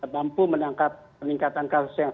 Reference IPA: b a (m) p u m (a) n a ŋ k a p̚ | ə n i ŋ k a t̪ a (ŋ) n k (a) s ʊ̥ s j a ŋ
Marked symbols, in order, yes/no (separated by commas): yes, no, no, yes